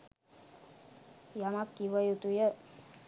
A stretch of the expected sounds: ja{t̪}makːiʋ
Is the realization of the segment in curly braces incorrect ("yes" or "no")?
yes